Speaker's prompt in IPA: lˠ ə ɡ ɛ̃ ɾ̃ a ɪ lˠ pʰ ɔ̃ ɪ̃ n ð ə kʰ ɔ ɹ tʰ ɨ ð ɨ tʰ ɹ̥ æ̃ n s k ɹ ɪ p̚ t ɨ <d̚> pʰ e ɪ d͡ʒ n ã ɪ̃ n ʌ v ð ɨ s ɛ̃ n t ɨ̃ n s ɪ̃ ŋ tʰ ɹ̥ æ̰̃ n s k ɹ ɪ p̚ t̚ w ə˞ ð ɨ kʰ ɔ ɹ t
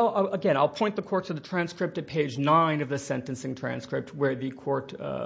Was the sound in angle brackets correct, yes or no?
no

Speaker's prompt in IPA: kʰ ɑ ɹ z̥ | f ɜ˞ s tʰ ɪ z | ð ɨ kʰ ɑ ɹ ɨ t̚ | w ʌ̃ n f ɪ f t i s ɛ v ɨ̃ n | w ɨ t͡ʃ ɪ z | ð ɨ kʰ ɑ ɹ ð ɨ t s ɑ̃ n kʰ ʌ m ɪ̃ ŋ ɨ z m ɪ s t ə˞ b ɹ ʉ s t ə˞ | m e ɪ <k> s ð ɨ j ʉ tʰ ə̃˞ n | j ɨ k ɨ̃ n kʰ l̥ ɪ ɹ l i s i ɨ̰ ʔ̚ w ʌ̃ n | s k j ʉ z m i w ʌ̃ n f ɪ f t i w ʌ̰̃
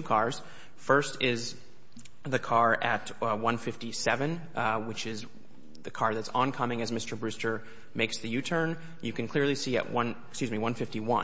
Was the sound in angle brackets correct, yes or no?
yes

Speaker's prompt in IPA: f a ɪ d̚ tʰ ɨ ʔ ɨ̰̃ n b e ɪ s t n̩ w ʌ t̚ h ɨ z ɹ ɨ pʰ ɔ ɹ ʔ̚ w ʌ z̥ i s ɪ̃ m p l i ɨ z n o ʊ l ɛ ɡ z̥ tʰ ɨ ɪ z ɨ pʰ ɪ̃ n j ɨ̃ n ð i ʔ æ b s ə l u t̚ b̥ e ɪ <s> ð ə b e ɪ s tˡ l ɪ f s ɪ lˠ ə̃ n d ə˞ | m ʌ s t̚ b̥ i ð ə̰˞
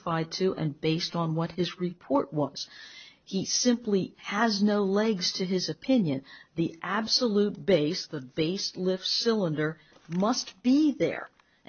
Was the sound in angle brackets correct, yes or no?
yes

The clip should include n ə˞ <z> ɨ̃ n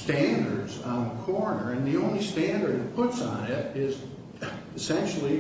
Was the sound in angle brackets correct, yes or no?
no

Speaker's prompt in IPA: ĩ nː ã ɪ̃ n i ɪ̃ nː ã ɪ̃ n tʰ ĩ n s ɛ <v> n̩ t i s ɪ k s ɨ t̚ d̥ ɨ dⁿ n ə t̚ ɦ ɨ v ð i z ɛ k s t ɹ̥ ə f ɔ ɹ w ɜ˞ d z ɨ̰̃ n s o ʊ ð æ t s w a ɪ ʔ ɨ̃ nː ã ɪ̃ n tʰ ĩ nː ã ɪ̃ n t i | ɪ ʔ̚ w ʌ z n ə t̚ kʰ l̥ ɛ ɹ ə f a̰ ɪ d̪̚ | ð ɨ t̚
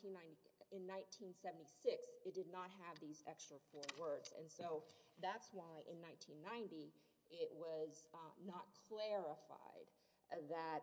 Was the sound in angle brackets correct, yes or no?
yes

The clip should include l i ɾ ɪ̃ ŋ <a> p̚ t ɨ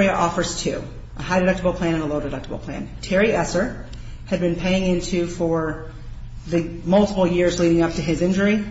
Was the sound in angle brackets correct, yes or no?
no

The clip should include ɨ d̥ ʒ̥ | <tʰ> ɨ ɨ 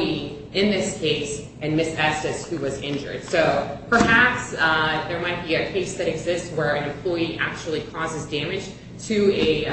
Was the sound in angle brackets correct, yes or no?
yes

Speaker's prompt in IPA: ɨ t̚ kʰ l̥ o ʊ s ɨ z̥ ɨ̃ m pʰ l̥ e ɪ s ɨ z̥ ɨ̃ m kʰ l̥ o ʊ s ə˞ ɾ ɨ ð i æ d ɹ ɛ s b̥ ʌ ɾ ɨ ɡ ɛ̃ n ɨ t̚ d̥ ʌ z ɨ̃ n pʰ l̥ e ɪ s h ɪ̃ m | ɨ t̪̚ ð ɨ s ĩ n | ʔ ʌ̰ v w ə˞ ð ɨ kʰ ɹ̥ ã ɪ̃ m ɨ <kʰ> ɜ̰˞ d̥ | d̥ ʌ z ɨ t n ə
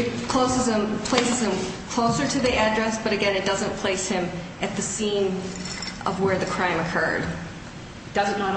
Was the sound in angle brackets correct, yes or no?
yes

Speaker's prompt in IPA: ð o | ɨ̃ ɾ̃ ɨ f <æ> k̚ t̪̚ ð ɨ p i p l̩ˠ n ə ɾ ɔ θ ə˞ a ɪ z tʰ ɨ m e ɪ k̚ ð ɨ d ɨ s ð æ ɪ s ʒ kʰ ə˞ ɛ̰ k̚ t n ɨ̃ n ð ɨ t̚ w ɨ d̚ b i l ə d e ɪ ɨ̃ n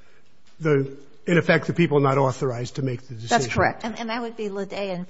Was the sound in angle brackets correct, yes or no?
no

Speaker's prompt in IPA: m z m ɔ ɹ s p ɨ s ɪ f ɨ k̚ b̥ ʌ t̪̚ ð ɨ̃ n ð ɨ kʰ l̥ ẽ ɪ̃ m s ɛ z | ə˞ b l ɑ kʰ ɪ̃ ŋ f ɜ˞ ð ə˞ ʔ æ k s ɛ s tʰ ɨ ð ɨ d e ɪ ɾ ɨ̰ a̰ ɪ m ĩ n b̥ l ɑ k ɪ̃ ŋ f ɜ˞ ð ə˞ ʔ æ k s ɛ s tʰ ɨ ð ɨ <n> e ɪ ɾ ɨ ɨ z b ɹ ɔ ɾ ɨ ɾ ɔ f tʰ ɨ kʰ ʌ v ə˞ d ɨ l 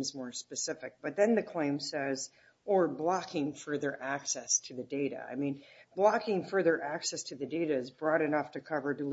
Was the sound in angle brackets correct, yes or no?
no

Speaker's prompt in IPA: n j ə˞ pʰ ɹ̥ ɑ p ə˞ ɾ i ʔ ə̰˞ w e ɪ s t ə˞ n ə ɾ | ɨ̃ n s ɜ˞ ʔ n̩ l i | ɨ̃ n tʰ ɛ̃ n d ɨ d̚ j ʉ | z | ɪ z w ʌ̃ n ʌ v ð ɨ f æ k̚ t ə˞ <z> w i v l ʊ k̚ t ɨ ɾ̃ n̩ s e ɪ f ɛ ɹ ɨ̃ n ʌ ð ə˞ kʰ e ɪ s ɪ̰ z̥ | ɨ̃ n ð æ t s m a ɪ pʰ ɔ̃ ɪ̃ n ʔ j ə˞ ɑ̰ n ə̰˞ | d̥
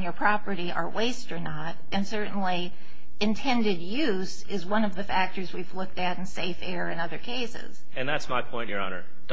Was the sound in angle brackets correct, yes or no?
yes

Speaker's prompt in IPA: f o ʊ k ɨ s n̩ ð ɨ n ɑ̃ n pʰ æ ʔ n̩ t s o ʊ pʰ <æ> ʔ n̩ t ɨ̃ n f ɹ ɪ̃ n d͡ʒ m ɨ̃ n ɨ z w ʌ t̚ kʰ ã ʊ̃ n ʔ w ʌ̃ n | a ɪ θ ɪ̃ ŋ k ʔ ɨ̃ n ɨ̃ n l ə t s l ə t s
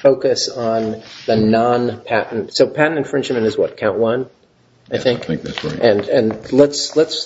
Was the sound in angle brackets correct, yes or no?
yes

